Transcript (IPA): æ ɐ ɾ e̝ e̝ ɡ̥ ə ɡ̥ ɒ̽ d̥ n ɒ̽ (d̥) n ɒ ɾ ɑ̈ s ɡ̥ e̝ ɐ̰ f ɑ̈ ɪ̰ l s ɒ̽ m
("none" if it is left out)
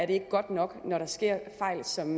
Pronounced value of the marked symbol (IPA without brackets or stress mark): ɡ̥